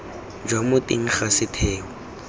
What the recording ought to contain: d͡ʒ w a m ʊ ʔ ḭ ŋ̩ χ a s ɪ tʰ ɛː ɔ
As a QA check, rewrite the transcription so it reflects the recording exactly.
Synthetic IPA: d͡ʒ w a m ʊ t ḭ ŋ̩ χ a s ɪ tʰ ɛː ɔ

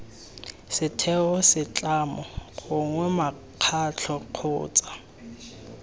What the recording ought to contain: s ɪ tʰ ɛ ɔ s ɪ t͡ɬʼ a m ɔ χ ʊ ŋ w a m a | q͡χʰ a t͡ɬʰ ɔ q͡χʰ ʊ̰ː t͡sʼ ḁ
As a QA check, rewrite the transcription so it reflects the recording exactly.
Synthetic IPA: s ɪ tʰ ɛ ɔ s ɪ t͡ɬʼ a m ɔ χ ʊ ŋ w ɛ m a | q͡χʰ a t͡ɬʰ ɔ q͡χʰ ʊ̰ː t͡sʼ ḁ

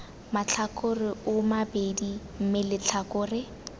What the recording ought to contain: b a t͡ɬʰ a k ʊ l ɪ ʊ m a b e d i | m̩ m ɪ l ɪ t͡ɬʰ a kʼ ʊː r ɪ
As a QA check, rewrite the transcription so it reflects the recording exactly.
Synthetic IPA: m a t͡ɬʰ a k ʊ r ɪ ʊ m a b e d i | m̩ m ɪ l ɪ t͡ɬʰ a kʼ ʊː r ɪ

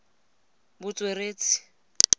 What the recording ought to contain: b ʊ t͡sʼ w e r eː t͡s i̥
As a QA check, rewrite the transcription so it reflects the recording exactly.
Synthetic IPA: b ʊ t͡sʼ w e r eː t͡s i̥

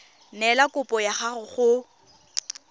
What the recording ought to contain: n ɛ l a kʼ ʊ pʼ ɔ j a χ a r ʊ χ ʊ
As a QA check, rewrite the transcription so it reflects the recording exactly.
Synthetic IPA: n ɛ l a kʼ ʊ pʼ ɔ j a χ a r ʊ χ ʊ

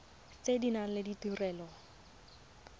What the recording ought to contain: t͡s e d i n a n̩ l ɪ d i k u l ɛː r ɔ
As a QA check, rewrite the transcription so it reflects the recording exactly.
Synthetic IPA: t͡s e d i n a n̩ l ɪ d i t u r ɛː l ɔ

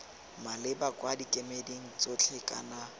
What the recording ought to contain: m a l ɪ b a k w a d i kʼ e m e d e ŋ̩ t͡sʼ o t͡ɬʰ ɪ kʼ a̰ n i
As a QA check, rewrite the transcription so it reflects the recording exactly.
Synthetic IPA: m a l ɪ b a k w a d i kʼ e m e d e ŋ̩ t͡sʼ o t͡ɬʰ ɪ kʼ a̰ n a

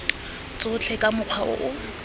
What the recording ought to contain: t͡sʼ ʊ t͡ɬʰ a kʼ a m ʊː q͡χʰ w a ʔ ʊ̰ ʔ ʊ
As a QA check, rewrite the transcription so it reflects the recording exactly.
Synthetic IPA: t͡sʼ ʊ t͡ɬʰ ɛ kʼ a m ʊ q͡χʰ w a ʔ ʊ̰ ʔ ʊ

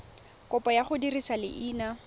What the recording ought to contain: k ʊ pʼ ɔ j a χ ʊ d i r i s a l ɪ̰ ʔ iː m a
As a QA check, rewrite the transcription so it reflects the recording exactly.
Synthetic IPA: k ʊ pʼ ɔ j a χ ʊ d i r i s a l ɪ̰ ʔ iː n a

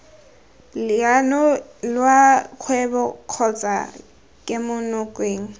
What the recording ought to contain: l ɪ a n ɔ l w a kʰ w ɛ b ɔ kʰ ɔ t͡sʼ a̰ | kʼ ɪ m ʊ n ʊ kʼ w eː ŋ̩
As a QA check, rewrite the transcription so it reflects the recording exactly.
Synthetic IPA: l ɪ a n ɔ l w a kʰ w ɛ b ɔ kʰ ɔ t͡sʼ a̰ | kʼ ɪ m ʊ n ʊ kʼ w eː ŋ̩

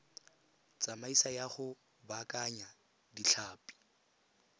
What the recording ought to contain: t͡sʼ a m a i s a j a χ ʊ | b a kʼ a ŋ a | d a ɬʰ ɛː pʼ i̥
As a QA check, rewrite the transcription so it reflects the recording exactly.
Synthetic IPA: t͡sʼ a m a i s a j a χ ʊ | b a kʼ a ɲ a | d i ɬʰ aː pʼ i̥

